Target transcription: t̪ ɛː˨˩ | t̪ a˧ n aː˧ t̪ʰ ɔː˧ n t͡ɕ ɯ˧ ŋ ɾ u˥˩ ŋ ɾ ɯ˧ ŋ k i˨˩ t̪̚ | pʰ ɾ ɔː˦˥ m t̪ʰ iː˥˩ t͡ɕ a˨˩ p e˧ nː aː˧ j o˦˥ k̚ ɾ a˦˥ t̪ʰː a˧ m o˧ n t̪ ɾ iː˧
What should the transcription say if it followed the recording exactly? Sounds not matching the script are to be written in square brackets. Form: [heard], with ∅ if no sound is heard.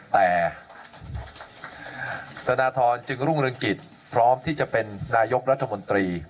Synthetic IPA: t̪ ɛː˨˩ | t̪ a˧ n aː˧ t̪ʰ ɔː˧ n t͡ɕ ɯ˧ ŋ ɾ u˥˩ ŋ ɾ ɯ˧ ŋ k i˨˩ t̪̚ | pʰ ɾ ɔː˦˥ m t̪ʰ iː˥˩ t͡ɕ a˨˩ p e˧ nː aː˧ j o˦˥ k̚ ɾ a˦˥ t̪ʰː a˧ m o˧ n t̪ ɾ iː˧